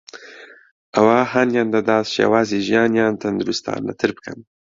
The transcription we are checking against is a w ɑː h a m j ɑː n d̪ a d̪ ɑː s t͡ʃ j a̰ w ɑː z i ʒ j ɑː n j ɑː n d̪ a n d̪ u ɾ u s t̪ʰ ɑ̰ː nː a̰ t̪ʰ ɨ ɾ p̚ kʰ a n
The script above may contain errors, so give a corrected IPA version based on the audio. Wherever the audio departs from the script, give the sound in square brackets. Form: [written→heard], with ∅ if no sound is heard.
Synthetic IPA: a w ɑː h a [m→n] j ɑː n d̪ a d̪ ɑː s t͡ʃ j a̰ w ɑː z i ʒ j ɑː n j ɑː n [d̪→t̪] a n d̪ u ɾ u s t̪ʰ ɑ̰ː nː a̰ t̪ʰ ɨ ɾ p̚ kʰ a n